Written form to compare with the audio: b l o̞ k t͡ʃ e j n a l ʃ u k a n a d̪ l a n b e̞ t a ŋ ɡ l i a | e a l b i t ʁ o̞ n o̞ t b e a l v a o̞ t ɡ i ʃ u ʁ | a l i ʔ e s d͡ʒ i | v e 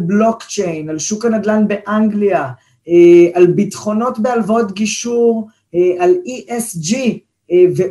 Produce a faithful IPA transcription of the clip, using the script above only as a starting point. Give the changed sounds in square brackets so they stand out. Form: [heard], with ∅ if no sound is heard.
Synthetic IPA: b l o̞ k t͡ʃ e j n a l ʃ u k a n a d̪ l a n b e̞ [ʔ] a ŋ ɡ l i a | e a l b i t [χ] o̞ n o̞ t b e a l v a o̞ t ɡ i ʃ u ʁ | a l i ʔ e s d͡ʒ i | v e